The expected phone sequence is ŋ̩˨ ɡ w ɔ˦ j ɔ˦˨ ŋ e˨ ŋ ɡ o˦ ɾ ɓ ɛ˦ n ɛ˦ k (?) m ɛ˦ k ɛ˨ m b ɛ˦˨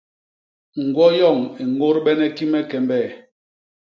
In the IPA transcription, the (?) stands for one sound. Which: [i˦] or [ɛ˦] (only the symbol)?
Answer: i˦